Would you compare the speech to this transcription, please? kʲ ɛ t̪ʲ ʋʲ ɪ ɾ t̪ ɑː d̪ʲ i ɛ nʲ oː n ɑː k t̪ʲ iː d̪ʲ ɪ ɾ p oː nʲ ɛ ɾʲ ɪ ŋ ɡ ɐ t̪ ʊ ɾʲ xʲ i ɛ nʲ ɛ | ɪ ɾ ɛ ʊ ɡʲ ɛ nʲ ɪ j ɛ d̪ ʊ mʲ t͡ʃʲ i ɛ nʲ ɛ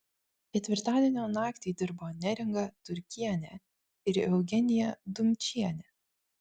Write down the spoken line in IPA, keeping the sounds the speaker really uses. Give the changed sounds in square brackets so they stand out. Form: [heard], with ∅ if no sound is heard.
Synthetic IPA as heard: kʲ ɛ t̪ʲ ʋʲ ɪ ɾ t̪ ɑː d̪ʲ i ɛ nʲ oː n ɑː k t̪ʲ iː d̪ʲ ɪ ɾ [b] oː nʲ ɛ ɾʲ ɪ ŋ ɡ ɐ t̪ ʊ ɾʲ [kʲ] i ɛ nʲ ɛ | ɪ ɾ ɛ ʊ ɡʲ ɛ nʲ ɪ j ɛ d̪ ʊ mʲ t͡ʃʲ i ɛ nʲ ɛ